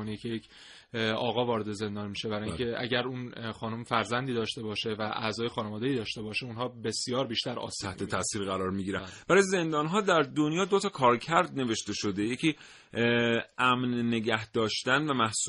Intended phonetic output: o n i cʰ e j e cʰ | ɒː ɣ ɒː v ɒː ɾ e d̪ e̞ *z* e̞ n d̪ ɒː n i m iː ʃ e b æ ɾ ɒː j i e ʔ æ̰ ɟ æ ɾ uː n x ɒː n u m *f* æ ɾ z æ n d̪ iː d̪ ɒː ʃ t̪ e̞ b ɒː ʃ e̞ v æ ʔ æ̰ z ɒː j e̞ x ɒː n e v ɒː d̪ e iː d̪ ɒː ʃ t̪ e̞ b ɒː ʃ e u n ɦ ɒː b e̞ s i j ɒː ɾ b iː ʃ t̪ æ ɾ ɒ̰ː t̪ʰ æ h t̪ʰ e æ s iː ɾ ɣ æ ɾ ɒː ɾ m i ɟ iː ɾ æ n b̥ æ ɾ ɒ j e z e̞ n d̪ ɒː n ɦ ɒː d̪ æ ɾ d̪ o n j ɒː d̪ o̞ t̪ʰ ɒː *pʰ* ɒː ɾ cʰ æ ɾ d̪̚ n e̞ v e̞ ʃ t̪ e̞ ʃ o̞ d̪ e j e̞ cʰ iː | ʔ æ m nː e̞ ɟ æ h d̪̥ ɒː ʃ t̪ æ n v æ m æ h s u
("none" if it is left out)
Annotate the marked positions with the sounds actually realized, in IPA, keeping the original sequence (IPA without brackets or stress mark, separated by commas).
z, f, kʰ